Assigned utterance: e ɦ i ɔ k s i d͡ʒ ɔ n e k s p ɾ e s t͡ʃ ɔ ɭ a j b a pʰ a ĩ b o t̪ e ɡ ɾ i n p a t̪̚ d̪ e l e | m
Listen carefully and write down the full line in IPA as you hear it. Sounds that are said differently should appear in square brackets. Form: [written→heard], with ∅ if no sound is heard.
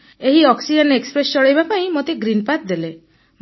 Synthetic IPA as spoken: e ɦ i ɔ k s i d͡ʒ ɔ n e k s p ɾ e s t͡ʃ ɔ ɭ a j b a [pʰ→p] a ĩ [b→m] o t̪ e ɡ ɾ i n p a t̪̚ d̪ e l e | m